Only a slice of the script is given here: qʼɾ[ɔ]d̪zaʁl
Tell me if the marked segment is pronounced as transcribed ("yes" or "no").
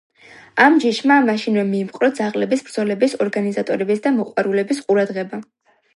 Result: yes